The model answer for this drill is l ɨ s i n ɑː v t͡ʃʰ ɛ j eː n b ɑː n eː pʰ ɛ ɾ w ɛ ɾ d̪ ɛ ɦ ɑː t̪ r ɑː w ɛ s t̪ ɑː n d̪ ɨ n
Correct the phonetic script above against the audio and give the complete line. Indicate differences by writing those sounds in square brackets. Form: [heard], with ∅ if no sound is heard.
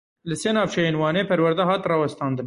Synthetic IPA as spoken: l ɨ s [e] n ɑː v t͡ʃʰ ɛ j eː n [w] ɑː n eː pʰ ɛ ɾ w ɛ ɾ d̪ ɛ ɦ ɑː t̪ r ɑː w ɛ s t̪ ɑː n d̪ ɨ n